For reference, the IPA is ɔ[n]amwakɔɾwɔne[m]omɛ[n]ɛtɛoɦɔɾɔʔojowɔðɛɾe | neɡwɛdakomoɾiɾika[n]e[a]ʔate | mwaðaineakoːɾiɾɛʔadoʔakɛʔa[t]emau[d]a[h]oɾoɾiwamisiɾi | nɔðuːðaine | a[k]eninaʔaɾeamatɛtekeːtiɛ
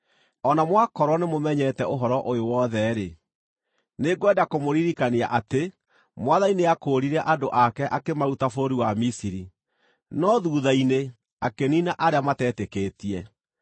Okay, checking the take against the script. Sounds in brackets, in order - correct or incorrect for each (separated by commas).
correct, correct, incorrect, correct, correct, incorrect, incorrect, incorrect, correct